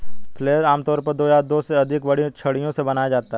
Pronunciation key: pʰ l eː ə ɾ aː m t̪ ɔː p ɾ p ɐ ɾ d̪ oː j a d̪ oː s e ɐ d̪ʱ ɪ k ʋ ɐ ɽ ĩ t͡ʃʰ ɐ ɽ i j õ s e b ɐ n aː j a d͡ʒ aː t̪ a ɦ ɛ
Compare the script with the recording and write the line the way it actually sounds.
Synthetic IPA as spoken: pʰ l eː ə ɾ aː m t̪ ɔː ɾ p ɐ ɾ d̪ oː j a d̪ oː s e ɐ d̪ʱ ɪ k ʋ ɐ ɽ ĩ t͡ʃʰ ɐ ɽ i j õ s e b ɐ n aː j a d͡ʒ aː t̪ a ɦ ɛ